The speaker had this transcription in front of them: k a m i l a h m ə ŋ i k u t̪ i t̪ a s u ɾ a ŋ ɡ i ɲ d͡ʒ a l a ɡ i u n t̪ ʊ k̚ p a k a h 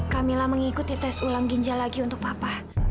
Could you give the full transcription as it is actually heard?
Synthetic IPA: k a m i l a h m ə ŋ i k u t̪ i t̪ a s u l a ŋ ɡ i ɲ d͡ʒ a l a ɡ i u n t̪ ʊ k̚ p a p a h